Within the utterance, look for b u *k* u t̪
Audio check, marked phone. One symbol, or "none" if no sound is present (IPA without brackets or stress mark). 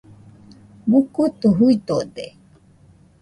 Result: k